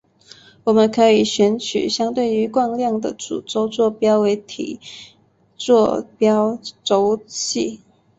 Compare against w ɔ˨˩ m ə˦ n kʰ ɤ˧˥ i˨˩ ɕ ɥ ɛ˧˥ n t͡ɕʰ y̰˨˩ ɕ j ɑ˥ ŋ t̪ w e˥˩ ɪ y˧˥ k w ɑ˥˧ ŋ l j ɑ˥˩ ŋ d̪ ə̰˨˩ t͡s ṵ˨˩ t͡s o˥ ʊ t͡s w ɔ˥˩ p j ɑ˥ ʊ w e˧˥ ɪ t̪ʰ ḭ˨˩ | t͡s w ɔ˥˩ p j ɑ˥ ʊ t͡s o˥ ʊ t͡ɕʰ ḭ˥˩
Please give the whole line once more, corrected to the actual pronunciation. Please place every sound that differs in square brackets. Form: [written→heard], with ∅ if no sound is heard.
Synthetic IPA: w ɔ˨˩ m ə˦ n kʰ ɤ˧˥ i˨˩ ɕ ɥ ɛ˧˥ n t͡ɕʰ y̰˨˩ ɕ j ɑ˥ ŋ t̪ w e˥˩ ɪ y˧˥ k w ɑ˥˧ ŋ l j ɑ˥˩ ŋ d̪ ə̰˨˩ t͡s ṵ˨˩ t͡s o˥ ʊ t͡s w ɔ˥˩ p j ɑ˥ ʊ w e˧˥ ɪ t̪ʰ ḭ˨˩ | t͡s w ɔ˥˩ p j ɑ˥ ʊ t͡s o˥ ʊ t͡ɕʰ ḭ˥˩